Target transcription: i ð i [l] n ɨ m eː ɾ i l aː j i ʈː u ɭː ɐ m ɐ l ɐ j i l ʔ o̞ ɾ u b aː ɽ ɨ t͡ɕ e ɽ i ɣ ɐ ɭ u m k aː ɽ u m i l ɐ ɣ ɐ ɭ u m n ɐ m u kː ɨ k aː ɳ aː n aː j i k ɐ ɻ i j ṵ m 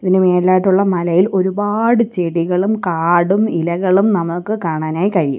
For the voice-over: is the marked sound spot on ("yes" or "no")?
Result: no